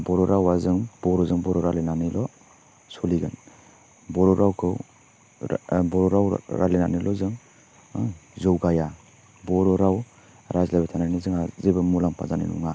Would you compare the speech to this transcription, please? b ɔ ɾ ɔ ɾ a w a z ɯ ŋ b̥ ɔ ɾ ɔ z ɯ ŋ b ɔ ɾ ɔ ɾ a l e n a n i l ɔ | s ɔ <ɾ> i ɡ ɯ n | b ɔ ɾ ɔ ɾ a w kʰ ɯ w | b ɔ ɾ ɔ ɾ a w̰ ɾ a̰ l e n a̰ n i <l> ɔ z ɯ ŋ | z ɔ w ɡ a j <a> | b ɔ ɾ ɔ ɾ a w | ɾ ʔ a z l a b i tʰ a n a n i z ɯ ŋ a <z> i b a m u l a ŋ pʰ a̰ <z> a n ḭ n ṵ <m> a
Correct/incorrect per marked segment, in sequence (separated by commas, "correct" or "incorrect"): incorrect, correct, correct, correct, correct, incorrect